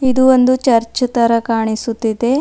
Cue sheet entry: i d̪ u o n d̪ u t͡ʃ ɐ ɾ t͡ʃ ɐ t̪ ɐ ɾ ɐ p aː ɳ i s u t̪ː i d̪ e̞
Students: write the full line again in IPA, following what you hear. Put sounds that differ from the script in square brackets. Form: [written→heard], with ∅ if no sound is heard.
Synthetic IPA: i d̪ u o n d̪ u t͡ʃ ɐ ɾ t͡ʃ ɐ t̪ ɐ ɾ ɐ [p→k] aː ɳ i s u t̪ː i d̪ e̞

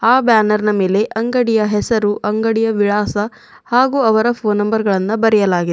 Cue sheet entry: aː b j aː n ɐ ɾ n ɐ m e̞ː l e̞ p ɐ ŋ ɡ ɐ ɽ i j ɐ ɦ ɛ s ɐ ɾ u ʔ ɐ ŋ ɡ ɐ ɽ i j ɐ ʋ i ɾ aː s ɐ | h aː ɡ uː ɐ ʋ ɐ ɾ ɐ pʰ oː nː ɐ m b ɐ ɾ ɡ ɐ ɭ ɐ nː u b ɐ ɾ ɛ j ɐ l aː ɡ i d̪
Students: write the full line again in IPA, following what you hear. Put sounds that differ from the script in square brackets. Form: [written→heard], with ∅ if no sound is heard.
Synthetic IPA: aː b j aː n ɐ ɾ n ɐ m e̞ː l e̞ [p→ʔ] ɐ ŋ ɡ ɐ ɽ i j ɐ ɦ ɛ s ɐ ɾ u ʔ ɐ ŋ ɡ ɐ ɽ i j ɐ ʋ i [ɾ→ɭ] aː s ɐ | h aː ɡ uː ɐ ʋ ɐ ɾ ɐ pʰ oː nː ɐ m b ɐ ɾ ɡ ɐ ɭ ɐ nː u b ɐ ɾ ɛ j ɐ l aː ɡ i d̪

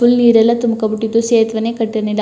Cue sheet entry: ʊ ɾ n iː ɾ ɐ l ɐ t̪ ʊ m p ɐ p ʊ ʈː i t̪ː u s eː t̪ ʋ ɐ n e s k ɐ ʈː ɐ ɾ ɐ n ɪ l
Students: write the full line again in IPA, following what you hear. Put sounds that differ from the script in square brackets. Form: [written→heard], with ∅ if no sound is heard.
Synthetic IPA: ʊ [ɾ→l] n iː ɾ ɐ l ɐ t̪ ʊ m [p→k] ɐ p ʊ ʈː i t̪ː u s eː t̪ ʋ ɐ n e [s→∅] k ɐ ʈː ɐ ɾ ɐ n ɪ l

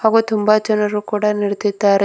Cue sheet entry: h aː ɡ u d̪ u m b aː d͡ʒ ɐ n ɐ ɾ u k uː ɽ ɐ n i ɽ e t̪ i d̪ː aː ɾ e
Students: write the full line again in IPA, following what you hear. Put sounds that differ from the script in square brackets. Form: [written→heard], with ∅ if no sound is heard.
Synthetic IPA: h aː ɡ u [d̪→t̪] u m b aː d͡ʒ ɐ n ɐ ɾ u k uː ɽ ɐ n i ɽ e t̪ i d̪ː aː ɾ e

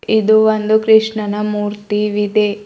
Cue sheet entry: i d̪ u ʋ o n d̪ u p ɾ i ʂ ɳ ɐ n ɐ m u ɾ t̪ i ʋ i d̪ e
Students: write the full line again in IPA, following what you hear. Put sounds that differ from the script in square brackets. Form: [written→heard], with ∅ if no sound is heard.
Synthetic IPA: i d̪ u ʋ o n d̪ u [p→k] ɾ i ʂ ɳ ɐ n ɐ m [u→uː] ɾ t̪ i ʋ i d̪ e

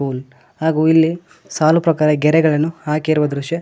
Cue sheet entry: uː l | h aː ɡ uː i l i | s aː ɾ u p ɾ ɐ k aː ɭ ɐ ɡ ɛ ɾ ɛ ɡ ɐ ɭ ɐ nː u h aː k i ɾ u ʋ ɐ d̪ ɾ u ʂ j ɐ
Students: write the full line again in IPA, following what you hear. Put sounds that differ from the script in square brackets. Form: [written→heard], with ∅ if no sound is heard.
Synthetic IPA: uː l | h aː ɡ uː i [l→lː] i | s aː [ɾ→l] u p ɾ ɐ k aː [ɭ→ɾ] ɐ ɡ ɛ ɾ ɛ ɡ ɐ ɭ ɐ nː u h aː k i ɾ u ʋ ɐ d̪ ɾ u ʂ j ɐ

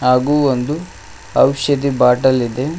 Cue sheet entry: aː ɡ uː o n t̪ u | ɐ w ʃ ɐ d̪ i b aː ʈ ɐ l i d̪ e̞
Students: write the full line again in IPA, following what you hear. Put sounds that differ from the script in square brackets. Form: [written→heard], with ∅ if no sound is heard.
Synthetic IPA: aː ɡ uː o n [t̪→d̪] u | ɐ w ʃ ɐ d̪ i b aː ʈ ɐ l i d̪ e̞

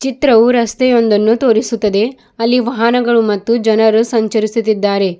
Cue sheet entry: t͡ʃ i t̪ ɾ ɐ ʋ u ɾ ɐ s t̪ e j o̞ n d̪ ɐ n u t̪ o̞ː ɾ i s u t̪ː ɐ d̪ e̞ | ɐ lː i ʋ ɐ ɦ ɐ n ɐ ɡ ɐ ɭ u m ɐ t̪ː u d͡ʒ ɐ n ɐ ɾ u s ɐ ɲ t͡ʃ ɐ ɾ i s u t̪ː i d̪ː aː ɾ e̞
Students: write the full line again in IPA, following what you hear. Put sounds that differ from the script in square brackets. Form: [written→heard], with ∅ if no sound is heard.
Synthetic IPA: t͡ʃ i t̪ ɾ ɐ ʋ u ɾ ɐ s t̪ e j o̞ n d̪ ɐ [n→nː] u t̪ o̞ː ɾ i s u t̪ː ɐ d̪ e̞ | ɐ lː i ʋ ɐ ɦ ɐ n ɐ ɡ ɐ ɭ u m ɐ t̪ː u d͡ʒ ɐ n ɐ ɾ u s ɐ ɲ t͡ʃ ɐ ɾ i s u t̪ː i d̪ː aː ɾ e̞

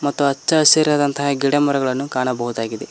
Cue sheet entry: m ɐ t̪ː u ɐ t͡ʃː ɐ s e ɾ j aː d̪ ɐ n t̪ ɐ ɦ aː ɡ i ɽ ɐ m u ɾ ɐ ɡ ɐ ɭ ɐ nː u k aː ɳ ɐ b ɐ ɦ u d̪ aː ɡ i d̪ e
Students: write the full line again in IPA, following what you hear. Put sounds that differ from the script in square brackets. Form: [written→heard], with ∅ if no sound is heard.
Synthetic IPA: m ɐ t̪ː u ɐ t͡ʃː ɐ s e ɾ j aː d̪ ɐ n t̪ ɐ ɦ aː ɡ i ɽ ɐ m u ɾ ɐ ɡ ɐ ɭ ɐ nː u k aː ɳ ɐ b ɐ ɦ u d̪ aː ɡ i d̪ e

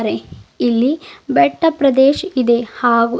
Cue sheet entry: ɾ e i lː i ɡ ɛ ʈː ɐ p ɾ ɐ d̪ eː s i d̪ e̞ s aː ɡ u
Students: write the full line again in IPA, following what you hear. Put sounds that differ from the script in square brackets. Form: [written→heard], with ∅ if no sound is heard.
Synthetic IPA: ɾ e i lː i [ɡ→b] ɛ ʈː ɐ p ɾ ɐ d̪ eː [s→ʃ] i d̪ e̞ [s→h] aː ɡ u

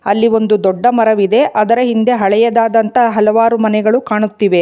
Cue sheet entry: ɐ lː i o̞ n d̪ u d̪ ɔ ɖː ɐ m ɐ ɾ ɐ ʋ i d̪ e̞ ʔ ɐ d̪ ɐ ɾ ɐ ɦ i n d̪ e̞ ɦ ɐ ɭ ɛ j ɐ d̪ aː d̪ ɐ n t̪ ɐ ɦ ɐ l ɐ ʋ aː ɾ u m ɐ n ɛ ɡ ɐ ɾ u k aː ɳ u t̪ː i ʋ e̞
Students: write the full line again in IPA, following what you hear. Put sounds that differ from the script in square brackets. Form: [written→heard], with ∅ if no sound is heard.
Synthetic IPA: ɐ lː i o̞ n d̪ u d̪ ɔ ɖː ɐ m ɐ ɾ ɐ ʋ i d̪ e̞ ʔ ɐ d̪ ɐ ɾ ɐ ɦ i n d̪ e̞ ɦ ɐ ɭ ɛ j ɐ d̪ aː d̪ ɐ n t̪ ɐ ɦ ɐ l ɐ ʋ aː ɾ u m ɐ n ɛ ɡ ɐ [ɾ→ɭ] u k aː ɳ u t̪ː i ʋ e̞

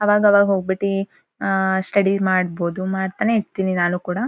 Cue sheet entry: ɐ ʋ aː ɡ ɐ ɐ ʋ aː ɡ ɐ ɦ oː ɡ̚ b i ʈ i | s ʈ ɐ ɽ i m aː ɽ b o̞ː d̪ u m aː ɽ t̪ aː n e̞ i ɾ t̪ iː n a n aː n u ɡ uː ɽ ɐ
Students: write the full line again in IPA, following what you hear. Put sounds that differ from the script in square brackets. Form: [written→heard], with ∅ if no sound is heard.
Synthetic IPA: ɐ ʋ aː ɡ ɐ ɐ ʋ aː ɡ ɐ ɦ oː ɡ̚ b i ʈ i | s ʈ ɐ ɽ i m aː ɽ b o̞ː d̪ u m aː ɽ t̪ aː n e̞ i ɾ t̪ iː n [a→i] n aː n u [ɡ→k] uː ɽ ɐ

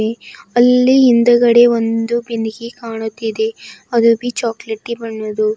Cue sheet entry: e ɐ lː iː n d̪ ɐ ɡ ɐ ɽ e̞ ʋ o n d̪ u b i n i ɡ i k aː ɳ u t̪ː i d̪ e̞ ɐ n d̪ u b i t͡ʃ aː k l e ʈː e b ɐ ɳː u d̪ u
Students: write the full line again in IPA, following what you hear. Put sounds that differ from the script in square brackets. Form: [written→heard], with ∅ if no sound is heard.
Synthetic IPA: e ɐ lː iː n d̪ ɐ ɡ ɐ ɽ e̞ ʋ o n d̪ u b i n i ɡ i k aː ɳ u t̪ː i d̪ e̞ ɐ [n→∅] d̪ u b i t͡ʃ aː k l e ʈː [e→i] b ɐ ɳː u d̪ u

